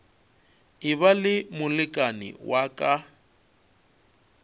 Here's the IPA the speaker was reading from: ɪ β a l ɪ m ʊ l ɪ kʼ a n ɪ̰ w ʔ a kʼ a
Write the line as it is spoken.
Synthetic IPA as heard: ɪ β a l ɪ m ʊ l ɪ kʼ a n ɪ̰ w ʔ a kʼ a